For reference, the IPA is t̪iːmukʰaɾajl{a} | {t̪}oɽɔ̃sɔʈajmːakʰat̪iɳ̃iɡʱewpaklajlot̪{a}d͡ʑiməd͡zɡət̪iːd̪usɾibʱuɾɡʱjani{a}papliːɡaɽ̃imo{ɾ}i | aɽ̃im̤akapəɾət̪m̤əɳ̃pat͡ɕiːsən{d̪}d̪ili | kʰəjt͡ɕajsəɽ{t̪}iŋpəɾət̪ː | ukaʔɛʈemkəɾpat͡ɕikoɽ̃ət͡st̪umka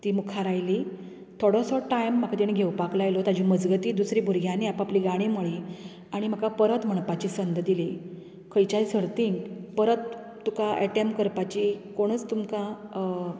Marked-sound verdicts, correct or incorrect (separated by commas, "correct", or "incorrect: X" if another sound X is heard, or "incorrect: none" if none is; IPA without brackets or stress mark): incorrect: i, incorrect: t̪ʰ, correct, correct, incorrect: ɭ, correct, correct